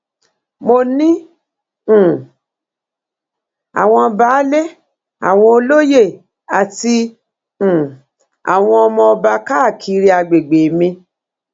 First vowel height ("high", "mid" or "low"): mid